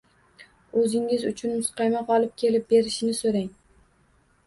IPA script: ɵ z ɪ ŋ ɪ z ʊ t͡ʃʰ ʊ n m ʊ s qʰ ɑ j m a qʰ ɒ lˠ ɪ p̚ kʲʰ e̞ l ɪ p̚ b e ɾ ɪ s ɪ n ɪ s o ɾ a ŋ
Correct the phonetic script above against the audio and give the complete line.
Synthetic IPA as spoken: ɵ z ɪ ŋ ɪ z ʊ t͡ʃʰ ʊ n m ʊ s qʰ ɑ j m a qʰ ɒ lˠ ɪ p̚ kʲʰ e̞ l ɪ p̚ b e ɾ ɪ ʃ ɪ n ɪ s o ɾ a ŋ